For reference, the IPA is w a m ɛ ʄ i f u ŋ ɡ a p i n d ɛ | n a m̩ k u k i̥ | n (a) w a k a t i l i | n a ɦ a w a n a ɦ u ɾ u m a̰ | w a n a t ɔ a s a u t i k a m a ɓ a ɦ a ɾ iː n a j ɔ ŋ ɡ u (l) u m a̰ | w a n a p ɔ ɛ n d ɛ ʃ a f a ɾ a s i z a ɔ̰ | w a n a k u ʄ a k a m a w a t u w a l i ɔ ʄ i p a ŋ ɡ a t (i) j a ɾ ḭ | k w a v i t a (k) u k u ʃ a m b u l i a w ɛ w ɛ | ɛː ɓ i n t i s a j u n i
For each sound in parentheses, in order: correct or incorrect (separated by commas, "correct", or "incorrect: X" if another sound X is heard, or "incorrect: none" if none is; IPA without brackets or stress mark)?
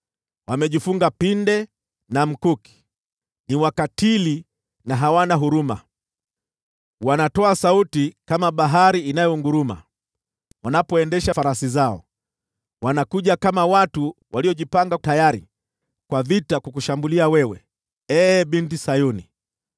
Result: incorrect: i, incorrect: ɾ, incorrect: a, correct